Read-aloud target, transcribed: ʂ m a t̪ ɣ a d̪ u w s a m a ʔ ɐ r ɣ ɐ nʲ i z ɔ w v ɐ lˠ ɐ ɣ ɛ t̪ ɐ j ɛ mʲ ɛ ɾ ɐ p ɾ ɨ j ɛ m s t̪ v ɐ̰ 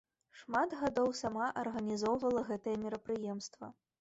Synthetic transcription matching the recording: ʂ m a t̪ ɣ a d̪ ɔ w s a m a ʔ ɐ r ɣ ɐ nʲ i z ɔ w v ɐ lˠ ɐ ɣ ɛ t̪ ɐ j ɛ mʲ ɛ ɾ ɐ p ɾ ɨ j ɛ m s t̪ v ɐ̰